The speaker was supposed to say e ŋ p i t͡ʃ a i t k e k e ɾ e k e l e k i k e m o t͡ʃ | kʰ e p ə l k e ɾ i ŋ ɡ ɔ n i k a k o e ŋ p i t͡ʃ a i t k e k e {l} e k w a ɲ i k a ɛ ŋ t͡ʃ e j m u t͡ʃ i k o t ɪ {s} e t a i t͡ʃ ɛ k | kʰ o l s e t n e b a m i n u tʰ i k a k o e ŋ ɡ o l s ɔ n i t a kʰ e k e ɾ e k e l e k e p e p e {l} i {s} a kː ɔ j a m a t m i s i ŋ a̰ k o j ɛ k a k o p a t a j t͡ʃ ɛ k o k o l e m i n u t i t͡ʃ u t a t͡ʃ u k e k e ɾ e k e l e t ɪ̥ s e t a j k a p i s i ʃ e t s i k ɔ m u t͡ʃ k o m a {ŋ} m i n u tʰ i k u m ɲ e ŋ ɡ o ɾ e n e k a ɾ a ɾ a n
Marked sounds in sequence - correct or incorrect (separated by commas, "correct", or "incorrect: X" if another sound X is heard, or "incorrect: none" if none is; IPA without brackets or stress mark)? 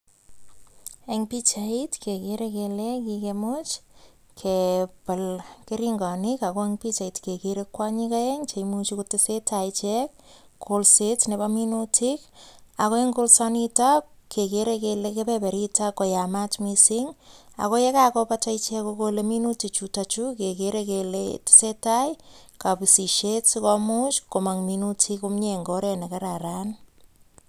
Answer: incorrect: ɾ, correct, incorrect: ɾ, incorrect: t, correct